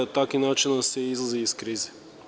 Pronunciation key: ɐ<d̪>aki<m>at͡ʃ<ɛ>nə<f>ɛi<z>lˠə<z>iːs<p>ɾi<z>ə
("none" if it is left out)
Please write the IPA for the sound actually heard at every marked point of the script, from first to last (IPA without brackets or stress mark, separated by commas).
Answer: t̪, n, i, s, z, z, k, z